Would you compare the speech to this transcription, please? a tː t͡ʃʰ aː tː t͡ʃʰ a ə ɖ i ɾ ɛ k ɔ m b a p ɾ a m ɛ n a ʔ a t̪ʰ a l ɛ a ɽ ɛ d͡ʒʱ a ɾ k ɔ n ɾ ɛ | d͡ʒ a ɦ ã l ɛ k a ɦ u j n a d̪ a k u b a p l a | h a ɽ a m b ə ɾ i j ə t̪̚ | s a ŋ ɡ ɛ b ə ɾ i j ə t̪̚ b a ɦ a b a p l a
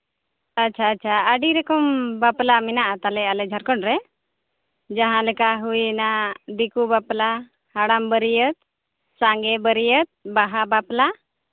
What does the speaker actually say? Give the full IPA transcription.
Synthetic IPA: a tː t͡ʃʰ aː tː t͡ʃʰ a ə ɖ i ɾ ɛ k ɔ m b a p l a m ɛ n a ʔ a t̪ a l ɛ a l ɛ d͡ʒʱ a ɾ k ɔ n ɾ ɛ | d͡ʒ a ɦ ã l ɛ k a ɦ u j n a d̪ i k u b a p l a | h a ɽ a m b ə ɾ i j ə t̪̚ | s a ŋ ɡ ɛ b ə ɾ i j ə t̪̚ b a ɦ a b a p l a